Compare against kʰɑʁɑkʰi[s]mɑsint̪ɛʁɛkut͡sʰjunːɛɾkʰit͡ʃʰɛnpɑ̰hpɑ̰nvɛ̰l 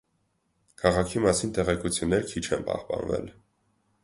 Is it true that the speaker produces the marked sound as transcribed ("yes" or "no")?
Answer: no